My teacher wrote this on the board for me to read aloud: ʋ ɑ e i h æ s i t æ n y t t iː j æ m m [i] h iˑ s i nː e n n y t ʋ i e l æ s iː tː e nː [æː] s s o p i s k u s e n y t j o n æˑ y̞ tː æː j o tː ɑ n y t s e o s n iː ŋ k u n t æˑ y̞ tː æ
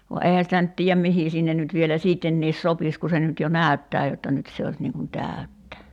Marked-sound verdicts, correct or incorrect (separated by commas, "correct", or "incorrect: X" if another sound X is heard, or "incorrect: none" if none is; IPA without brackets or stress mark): correct, incorrect: iː